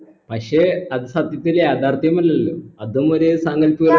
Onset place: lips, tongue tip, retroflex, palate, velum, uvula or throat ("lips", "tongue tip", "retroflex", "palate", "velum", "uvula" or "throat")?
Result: lips